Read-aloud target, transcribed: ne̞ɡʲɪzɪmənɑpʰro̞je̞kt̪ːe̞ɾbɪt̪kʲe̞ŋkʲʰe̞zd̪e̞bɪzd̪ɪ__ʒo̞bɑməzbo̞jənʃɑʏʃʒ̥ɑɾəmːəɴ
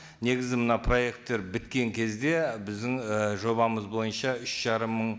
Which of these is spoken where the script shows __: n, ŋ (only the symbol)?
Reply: ŋ